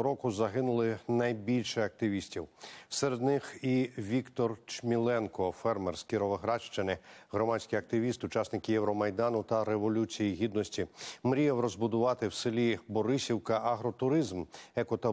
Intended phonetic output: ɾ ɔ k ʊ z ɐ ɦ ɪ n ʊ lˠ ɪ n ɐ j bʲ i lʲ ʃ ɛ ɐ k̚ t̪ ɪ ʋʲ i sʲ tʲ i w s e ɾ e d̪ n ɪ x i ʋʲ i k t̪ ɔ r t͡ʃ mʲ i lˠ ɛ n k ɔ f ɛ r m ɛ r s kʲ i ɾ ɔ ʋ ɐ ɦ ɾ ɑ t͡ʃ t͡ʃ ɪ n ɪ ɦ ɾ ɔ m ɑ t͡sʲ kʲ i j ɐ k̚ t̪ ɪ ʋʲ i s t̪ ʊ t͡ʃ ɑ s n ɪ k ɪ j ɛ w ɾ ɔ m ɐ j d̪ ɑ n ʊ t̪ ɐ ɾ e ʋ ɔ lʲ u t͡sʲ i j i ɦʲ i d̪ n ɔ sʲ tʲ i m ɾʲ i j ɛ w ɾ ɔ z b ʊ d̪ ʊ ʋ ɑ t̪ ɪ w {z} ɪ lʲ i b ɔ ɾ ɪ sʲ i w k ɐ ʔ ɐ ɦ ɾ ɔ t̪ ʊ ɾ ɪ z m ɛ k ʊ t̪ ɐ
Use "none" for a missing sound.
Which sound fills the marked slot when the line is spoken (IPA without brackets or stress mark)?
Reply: s